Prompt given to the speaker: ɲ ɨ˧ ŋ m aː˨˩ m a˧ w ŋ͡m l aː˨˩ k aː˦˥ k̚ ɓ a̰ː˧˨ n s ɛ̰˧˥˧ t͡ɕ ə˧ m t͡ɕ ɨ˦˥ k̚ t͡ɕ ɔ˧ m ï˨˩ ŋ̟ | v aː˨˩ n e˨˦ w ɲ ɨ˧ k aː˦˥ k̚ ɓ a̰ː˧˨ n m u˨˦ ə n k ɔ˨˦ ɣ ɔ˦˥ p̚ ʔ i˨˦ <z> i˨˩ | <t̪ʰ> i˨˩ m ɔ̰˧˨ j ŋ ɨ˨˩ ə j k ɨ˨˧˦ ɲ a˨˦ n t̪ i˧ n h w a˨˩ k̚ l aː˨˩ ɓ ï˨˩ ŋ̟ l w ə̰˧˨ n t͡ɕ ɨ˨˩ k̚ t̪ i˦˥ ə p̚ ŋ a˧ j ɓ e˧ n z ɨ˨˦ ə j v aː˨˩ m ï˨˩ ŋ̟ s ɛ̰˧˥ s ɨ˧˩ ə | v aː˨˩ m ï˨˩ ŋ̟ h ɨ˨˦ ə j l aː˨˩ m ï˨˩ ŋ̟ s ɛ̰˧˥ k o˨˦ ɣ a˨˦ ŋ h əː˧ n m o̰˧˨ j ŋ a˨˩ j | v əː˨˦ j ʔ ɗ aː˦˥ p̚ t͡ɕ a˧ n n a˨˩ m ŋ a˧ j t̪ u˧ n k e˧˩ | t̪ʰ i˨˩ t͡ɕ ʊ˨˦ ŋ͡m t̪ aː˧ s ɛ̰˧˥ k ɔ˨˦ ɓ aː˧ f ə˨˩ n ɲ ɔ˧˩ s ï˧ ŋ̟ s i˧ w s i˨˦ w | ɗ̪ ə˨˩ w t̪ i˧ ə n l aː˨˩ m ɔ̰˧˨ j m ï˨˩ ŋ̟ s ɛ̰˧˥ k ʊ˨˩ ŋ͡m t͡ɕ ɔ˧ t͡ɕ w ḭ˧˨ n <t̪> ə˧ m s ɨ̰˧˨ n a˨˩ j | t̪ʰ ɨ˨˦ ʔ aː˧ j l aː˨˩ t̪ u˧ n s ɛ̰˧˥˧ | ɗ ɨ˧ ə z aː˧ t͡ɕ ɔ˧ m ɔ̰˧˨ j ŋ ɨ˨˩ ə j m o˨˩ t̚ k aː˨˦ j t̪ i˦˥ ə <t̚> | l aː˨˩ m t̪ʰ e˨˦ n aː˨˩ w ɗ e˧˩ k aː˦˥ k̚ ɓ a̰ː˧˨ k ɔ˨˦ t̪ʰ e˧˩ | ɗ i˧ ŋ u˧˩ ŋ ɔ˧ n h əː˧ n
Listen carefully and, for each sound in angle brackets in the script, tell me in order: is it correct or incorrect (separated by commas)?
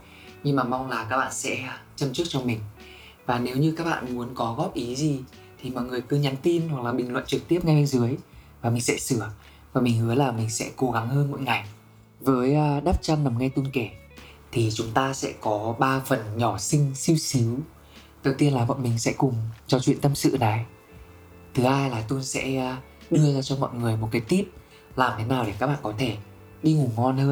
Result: correct, correct, correct, incorrect